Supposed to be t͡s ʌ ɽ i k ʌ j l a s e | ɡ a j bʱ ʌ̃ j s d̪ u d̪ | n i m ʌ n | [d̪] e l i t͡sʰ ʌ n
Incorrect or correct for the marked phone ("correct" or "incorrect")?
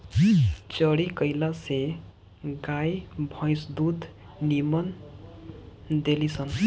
correct